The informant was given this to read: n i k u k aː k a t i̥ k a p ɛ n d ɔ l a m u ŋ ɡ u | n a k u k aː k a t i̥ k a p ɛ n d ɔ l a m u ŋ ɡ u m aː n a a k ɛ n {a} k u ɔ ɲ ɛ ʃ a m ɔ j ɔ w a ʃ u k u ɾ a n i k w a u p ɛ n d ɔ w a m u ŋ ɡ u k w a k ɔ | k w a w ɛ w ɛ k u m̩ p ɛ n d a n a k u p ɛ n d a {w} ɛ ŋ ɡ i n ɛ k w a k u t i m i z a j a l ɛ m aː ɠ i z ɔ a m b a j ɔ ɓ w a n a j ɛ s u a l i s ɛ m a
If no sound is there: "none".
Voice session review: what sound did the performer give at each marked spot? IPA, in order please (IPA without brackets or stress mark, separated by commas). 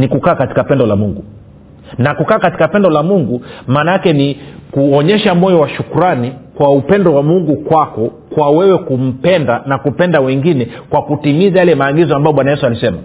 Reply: i, w